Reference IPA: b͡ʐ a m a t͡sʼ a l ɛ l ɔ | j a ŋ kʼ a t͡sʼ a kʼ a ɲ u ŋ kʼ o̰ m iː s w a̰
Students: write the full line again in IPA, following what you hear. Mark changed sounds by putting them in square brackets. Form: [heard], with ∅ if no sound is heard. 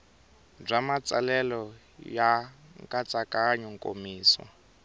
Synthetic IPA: b͡ʐ a m a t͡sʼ a l ɛ l ɔ | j a ŋ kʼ a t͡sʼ a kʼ a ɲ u ŋ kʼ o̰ m iː s w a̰

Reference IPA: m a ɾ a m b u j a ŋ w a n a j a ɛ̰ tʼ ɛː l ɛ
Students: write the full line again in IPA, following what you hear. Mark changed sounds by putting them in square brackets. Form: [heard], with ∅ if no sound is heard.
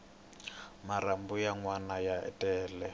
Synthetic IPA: m a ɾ a m b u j a ŋ w a n a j a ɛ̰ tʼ ɛː l ɛ

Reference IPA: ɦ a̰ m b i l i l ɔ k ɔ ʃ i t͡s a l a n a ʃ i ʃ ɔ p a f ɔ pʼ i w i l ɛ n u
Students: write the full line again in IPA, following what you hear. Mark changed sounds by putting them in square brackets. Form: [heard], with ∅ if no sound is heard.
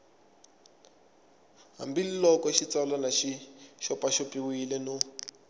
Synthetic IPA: ɦ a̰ m b i l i l ɔ k ɔ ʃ i t͡s a l a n a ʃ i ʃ ɔ p a [ʃ] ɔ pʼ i w i l ɛ n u

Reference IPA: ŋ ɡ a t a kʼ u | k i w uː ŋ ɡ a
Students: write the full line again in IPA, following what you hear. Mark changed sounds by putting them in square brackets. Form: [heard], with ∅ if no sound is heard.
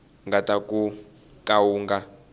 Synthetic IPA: ŋ ɡ a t a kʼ u | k [a] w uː ŋ ɡ a

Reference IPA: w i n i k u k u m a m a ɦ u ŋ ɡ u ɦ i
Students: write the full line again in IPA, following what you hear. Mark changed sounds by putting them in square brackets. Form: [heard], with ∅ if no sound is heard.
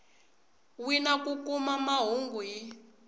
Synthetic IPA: w i n [a] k u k u m a m a ɦ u ŋ ɡ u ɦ i

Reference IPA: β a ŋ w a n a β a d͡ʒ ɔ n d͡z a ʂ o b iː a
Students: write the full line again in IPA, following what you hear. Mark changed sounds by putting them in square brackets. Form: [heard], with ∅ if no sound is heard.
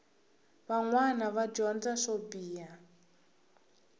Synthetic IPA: β a ŋ w a n a β a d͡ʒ ɔ n d͡z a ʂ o b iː a

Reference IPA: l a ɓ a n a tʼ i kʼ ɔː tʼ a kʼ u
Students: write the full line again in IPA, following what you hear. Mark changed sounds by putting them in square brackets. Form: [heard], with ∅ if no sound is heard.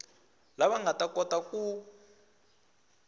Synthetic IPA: l a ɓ a [ŋ] a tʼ [a] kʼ [ɔ] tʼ a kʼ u

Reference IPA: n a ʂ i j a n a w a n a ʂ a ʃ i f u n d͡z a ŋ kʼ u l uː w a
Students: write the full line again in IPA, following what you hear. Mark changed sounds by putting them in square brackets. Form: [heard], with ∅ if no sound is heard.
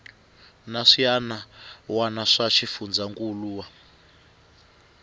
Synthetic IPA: n a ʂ i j a n a w a n a ʂ a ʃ i f u n d͡z a ŋ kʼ u l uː w a

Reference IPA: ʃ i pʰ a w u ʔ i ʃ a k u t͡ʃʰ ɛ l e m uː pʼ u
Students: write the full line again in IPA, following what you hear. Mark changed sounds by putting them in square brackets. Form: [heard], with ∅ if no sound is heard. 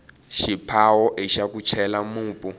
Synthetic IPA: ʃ i pʰ a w [ɔ] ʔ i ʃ a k u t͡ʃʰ ɛ l [a] m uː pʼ u

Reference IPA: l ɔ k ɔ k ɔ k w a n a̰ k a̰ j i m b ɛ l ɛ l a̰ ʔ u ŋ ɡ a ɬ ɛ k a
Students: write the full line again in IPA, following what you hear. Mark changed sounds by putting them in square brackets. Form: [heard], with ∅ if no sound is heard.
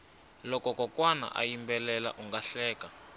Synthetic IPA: l ɔ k ɔ k ɔ k w a n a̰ [ʔ] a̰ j i m b ɛ l ɛ l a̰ ʔ u ŋ ɡ a ɬ [ɛː] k a

